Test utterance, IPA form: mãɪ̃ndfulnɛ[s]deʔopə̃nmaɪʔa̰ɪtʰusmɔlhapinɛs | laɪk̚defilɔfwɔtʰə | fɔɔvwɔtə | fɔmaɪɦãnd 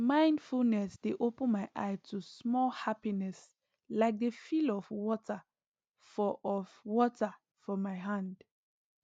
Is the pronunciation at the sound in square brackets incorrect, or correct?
correct